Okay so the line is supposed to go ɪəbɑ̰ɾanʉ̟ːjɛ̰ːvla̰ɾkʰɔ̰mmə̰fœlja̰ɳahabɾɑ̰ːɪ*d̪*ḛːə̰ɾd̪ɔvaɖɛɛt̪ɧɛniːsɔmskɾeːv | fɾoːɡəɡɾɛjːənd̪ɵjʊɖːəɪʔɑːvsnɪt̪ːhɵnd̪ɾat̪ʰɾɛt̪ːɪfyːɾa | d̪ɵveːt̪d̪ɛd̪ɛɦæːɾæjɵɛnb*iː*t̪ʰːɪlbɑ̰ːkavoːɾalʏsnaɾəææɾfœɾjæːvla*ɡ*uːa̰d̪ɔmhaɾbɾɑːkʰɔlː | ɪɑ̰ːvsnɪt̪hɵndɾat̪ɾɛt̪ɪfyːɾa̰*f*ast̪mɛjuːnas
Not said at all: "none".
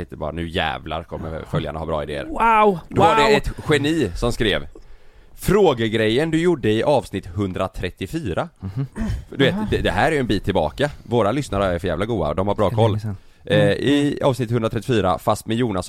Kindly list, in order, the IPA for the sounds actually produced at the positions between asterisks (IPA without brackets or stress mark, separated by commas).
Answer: d̪, iː, ɡ, f